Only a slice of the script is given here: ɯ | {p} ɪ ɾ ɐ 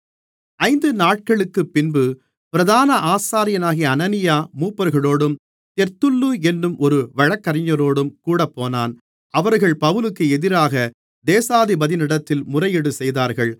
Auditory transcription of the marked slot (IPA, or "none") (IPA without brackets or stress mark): p